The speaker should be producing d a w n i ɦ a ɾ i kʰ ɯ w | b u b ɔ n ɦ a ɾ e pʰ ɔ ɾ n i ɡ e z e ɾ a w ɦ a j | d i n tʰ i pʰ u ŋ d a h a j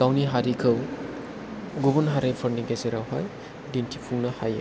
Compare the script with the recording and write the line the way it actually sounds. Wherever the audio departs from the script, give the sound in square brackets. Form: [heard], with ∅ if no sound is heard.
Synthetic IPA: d a w n i ɦ a ɾ i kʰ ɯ w | [ɡ] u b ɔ n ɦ a ɾ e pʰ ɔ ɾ n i ɡ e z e ɾ a w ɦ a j | d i n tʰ i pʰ u ŋ [n] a h a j

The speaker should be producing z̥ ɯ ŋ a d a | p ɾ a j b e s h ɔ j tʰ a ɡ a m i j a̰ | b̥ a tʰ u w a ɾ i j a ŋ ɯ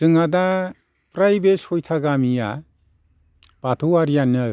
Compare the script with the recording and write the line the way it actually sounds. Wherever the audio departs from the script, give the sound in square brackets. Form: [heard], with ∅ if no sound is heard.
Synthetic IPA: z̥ ɯ ŋ a d a | p ɾ a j b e s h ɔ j tʰ a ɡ a m i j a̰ | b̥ a tʰ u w a ɾ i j a [n] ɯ

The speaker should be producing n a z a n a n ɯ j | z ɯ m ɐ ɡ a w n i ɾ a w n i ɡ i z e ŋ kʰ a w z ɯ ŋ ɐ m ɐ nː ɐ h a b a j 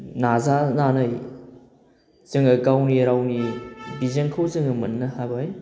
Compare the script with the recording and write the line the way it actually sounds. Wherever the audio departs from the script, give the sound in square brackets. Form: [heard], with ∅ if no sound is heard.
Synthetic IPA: n a z a n a n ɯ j | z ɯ [ŋ] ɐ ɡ a w n i ɾ a w n i [b] i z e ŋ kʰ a w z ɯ ŋ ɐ m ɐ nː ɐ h a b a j

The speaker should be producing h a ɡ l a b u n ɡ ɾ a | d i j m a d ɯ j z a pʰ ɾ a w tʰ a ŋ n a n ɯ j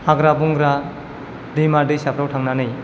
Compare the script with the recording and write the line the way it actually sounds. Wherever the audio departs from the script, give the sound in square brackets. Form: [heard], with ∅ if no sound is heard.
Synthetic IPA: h a ɡ [ɾ] a b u [ŋ] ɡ ɾ a | d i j m a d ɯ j [s] a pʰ ɾ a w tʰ a ŋ n a n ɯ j

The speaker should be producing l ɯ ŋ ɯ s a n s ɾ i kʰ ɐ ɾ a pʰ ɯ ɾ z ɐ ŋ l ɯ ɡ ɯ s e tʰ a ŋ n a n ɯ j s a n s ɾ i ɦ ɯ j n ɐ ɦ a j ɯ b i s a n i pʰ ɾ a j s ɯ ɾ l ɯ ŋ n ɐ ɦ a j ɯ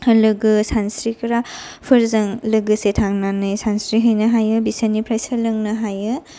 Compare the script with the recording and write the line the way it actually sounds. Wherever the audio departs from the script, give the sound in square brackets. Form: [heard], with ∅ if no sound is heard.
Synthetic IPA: l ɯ [ɡ] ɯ s a n s ɾ i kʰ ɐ ɾ a pʰ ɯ ɾ z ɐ ŋ l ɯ ɡ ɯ s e tʰ a ŋ n a n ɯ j s a n s ɾ i ɦ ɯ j n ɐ ɦ a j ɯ b i s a n i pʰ ɾ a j s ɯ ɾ l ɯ ŋ n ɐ ɦ a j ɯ

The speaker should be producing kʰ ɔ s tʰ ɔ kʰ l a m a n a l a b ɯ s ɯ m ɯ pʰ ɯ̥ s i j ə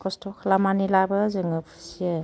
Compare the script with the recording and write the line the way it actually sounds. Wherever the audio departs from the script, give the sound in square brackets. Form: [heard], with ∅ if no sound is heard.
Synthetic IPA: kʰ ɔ s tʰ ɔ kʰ l a m a n [i] l a b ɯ [z] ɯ [ŋ] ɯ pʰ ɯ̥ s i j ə

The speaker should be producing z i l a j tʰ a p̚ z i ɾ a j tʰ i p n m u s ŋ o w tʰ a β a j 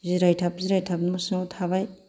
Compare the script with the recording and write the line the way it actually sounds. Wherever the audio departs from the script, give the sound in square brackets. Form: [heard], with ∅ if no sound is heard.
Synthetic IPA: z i [ɾ] a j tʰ a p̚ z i ɾ a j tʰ [a] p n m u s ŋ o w tʰ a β a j

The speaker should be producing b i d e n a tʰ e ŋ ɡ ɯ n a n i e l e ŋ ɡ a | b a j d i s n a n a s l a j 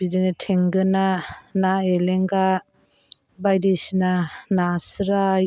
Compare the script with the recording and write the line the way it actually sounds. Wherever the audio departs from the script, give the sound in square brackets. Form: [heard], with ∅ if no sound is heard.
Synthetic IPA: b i d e n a tʰ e ŋ ɡ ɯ n a n [a] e l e ŋ ɡ a | b a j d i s n a n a s [ɾ] a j

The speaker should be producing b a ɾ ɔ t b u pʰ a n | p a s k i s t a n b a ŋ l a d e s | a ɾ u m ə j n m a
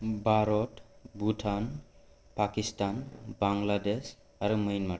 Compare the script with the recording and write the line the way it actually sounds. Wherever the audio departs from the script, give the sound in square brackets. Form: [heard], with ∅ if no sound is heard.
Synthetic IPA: b a ɾ ɔ t b u [tʰ] a n | p a [∅] k i s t a n b a ŋ l a d e s | a ɾ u m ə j n m a

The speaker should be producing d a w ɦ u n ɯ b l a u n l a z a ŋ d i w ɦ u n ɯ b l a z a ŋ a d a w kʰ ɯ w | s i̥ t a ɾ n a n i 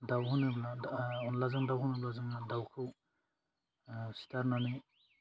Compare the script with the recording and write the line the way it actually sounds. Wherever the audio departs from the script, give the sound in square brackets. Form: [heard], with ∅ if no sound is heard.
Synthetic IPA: d a w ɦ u n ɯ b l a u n l a z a ŋ d [a] w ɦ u n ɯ b l a z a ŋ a d a w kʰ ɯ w | s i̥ t a ɾ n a n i

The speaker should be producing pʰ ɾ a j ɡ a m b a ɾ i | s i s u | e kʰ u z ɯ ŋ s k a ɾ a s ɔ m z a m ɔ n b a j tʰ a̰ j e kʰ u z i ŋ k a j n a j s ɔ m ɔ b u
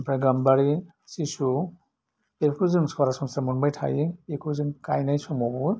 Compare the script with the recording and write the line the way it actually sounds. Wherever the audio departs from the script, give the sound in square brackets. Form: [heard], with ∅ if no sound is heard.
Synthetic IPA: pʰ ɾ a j ɡ a m b a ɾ i | s i s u | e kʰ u z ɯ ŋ s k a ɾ a s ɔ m [s] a m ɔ n b a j tʰ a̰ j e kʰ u z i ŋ k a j n a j s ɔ m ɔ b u

